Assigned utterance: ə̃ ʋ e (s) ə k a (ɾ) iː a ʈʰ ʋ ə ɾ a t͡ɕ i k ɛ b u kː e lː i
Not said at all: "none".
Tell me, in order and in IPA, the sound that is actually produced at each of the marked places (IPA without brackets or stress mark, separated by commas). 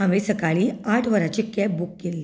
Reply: s, ɭ